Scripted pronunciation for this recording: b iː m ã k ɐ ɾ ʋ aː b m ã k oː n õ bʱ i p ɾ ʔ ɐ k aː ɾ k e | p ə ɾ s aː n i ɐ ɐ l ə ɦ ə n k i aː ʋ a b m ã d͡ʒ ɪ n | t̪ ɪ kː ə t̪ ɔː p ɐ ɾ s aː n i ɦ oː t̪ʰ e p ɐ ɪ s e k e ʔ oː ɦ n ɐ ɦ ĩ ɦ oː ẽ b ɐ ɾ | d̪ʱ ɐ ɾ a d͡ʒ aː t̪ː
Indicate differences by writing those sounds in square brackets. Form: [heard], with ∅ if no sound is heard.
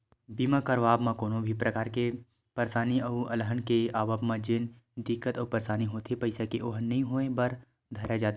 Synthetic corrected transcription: b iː m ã k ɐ ɾ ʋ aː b m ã k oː n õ bʱ i p ɾ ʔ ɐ k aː ɾ k e | p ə ɾ s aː n i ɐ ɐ l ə ɦ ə n k [e] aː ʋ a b m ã d͡ʒ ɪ n | [d̪] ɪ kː ə t̪ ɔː p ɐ ɾ s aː n i ɦ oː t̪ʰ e p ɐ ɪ s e k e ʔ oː ɦ n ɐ ɦ ĩ ɦ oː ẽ b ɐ ɾ | d̪ʱ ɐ ɾ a d͡ʒ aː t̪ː